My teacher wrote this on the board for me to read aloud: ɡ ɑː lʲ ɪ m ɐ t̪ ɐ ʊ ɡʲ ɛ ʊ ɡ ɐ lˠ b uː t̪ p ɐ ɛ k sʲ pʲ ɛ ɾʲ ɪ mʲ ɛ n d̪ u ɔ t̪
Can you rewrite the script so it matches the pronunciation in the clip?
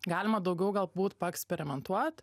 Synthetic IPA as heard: ɡ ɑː lʲ ɪ m ɐ d̪ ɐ ʊ ɡʲ ɛ ʊ ɡ ɐ lˠ b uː t̪ p ɐ ɛ k sʲ pʲ ɛ ɾʲ ɪ mʲ ɛ n t̪ u ɔ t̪